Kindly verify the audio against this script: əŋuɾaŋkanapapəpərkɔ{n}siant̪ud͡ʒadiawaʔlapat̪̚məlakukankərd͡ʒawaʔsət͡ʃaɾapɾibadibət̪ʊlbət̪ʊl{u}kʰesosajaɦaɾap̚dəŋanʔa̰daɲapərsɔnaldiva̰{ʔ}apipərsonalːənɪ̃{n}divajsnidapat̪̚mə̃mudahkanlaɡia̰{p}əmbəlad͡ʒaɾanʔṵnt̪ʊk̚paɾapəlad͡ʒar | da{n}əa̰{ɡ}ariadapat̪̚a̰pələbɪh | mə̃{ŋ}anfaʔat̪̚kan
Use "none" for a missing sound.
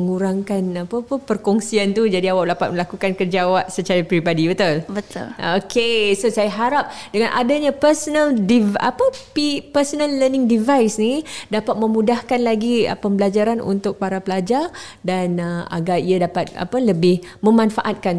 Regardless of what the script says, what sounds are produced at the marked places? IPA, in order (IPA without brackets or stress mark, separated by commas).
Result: ŋ, o, p, ŋ, p, n, ɡ, m